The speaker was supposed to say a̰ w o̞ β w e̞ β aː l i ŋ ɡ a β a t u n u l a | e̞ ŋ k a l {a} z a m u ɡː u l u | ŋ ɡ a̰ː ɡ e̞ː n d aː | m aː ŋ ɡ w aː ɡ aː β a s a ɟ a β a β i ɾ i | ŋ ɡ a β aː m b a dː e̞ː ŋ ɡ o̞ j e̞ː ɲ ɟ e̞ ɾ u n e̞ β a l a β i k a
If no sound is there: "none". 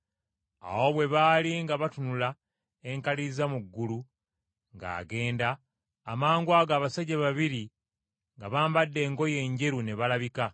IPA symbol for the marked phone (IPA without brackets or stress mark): i